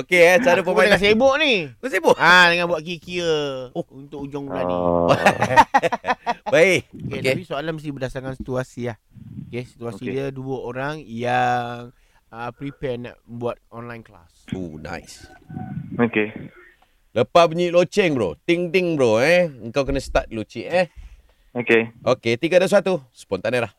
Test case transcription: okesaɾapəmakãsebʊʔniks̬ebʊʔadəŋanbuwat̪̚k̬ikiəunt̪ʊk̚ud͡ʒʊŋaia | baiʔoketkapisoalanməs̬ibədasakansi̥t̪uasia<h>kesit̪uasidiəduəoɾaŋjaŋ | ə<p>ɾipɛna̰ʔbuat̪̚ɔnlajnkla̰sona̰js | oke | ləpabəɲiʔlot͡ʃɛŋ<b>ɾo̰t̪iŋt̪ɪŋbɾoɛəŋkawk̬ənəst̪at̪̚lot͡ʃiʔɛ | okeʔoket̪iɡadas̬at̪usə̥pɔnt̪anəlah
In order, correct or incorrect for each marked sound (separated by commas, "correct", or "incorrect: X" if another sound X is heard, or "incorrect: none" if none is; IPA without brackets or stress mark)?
correct, correct, correct